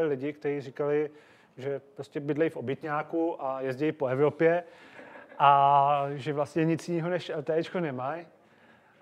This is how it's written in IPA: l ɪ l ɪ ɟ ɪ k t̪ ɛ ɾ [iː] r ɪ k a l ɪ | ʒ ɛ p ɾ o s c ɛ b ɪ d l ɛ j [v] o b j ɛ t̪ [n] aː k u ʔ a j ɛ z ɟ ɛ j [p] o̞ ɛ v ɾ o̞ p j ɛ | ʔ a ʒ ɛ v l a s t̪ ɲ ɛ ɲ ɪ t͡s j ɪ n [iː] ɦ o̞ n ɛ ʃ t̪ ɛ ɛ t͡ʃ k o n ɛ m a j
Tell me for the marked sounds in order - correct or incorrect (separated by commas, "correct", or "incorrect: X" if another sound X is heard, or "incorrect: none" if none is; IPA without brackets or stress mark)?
correct, incorrect: f, incorrect: ɲ, correct, correct